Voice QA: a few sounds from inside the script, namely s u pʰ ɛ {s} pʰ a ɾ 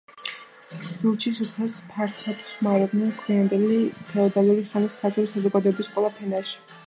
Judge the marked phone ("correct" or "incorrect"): correct